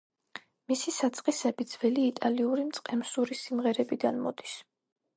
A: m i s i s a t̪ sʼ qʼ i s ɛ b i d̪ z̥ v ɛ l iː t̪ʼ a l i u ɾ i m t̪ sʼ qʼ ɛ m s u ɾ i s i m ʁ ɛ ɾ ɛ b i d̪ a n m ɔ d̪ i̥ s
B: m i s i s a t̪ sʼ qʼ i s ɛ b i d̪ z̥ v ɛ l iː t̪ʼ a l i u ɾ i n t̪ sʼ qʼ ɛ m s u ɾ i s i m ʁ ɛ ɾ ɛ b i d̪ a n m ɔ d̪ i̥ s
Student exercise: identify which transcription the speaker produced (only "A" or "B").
A